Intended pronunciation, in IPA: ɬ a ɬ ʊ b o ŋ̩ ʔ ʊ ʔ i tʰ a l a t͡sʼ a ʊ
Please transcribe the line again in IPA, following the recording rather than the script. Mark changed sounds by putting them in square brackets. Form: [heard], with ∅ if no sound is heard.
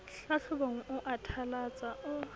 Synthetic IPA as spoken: ɬ a ɬ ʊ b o ŋ̩ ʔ ʊ ʔ [a] tʰ a l a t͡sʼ a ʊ